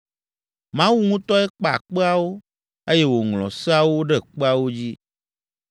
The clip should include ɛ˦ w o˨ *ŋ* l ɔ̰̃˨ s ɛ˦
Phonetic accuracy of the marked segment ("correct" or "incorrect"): correct